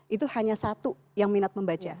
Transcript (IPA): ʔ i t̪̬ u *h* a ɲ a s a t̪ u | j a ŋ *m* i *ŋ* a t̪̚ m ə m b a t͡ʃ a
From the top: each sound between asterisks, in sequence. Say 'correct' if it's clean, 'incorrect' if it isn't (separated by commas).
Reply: correct, correct, incorrect